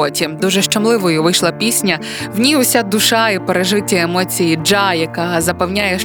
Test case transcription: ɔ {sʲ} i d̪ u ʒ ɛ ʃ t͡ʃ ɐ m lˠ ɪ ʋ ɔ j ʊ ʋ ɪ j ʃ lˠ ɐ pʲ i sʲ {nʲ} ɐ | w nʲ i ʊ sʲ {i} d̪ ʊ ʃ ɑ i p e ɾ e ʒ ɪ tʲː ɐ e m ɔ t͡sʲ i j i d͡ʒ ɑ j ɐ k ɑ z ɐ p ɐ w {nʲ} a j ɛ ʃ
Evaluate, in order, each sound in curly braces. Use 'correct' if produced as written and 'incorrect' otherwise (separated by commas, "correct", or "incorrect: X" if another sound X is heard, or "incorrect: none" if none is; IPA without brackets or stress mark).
incorrect: tʲ, correct, incorrect: a, correct